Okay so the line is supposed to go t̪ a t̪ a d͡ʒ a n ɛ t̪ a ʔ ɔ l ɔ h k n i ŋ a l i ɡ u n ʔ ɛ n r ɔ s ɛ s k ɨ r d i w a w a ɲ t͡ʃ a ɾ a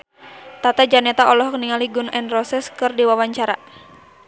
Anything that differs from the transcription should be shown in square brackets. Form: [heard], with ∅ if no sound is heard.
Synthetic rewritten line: t̪ a t̪ a d͡ʒ a n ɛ t̪ a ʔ ɔ l ɔ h k n i ŋ a l i ɡ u n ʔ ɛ n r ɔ s ɛ s k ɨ r d i w a w a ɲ t͡ʃ a ɾ a